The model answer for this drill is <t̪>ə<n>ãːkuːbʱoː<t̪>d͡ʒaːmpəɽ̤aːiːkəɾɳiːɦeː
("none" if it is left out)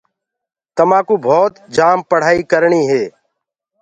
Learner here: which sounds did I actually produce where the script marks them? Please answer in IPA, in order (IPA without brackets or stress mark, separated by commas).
t̪, m, t̪